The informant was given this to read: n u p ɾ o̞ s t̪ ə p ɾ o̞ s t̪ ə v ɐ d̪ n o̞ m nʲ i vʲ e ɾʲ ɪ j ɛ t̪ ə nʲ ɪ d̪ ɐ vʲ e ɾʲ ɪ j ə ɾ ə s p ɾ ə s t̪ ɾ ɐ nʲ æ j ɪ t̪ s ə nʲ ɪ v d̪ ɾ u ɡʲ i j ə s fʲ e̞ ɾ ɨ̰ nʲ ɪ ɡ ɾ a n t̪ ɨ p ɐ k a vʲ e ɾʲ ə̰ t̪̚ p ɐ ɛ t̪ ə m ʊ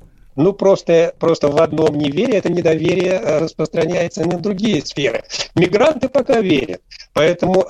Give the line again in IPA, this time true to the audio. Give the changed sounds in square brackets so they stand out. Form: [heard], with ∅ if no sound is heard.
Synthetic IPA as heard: n u p ɾ o̞ s t̪ ə p ɾ o̞ s t̪ ə v ɐ d̪ n o̞ m nʲ [ɪ] vʲ e ɾʲ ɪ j ɛ t̪ ə nʲ ɪ d̪ ɐ vʲ e ɾʲ ɪ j ə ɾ ə s p ɾ ə s t̪ ɾ ɐ nʲ æ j ɪ t̪ s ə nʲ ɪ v d̪ ɾ [ʊ] ɡʲ i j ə s fʲ e̞ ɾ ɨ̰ [mʲ] ɪ ɡ ɾ a n t̪ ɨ p ɐ k a vʲ e ɾʲ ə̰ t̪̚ p ɐ ɛ t̪ ə m ʊ